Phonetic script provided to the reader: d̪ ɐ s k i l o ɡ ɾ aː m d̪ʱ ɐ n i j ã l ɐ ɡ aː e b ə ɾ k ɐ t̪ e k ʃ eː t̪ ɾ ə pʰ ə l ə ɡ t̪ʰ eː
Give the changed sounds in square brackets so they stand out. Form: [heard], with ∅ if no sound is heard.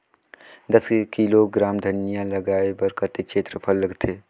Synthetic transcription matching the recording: d̪ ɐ s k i l o ɡ ɾ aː m d̪ʱ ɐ n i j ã l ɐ ɡ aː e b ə ɾ k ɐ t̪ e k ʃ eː t̪ ɾ ə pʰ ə l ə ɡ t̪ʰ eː

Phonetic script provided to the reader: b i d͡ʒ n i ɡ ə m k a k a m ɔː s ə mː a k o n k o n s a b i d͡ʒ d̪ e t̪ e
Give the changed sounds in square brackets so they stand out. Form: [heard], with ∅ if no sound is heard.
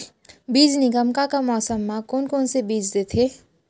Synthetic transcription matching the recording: b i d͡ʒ n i ɡ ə m k a k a m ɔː s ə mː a k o n k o n s [e] b i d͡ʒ d̪ e [t̪ʰ] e

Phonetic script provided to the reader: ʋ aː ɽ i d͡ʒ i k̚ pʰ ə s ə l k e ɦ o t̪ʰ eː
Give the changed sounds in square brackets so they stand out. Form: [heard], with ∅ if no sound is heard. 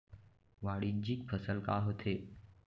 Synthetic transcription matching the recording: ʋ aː ɽ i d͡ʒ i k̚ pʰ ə s ə l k [a] ɦ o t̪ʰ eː

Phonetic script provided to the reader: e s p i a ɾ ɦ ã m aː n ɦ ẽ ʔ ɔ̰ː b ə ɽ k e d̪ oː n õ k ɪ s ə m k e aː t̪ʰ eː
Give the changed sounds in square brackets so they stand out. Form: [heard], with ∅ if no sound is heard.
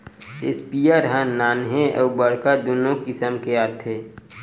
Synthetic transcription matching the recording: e s p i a ɾ ɦ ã [n] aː n ɦ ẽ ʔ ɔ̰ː b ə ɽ k [a] d̪ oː n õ k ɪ s ə m k e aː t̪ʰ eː

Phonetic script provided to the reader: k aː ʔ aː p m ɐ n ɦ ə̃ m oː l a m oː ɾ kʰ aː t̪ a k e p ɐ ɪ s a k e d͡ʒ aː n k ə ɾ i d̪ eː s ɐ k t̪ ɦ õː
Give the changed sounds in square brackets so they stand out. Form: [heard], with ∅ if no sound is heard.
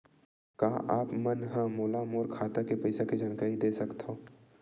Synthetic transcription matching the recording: k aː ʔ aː p m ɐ n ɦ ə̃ m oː l a m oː ɾ kʰ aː t̪ a k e p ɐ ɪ s a k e d͡ʒ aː n k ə ɾ i d̪ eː s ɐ k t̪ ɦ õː

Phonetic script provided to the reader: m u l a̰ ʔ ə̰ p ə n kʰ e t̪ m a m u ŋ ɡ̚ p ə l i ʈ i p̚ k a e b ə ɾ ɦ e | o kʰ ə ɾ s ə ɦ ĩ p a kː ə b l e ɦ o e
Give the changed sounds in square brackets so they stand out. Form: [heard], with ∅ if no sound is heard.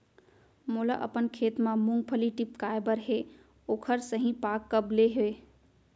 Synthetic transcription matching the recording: m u l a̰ ʔ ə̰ p ə n kʰ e t̪ m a m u ŋ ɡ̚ [pʰ] ə l i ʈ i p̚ k a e b ə ɾ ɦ e | o kʰ ə ɾ s ə ɦ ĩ p a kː ə b l e ɦ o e

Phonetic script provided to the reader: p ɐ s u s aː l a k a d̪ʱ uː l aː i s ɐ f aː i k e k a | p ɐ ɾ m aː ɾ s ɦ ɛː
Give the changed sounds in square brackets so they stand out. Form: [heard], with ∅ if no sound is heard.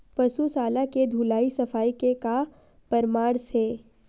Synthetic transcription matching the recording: p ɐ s u s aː l a k [e] d̪ʱ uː l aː i s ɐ f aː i k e k a | p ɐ ɾ m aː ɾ s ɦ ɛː

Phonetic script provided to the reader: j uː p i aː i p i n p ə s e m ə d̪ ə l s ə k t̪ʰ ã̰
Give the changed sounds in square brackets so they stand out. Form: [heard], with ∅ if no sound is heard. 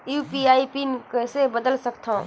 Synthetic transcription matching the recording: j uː p i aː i p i n [k] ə s e [b] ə d̪ ə l s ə k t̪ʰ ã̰

